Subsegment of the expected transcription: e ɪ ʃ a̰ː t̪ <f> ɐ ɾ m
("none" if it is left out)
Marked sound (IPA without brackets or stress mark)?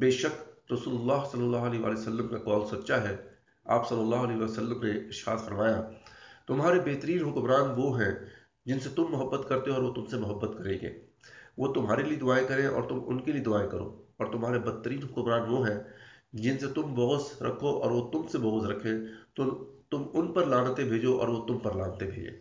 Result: f